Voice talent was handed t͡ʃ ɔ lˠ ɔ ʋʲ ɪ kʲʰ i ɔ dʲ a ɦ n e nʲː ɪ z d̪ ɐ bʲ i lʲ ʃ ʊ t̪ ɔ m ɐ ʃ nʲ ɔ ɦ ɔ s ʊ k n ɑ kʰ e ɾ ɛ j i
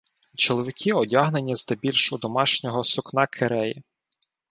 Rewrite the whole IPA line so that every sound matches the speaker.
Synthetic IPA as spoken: t͡ʃ ɔ lˠ ɔ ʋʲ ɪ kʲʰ i ɔ dʲ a ɦ n e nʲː i z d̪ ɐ bʲ i lʲ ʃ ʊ d̪ ɔ m ɑ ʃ nʲ ɔ ɦ ɔ s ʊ k n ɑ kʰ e ɾ ɛ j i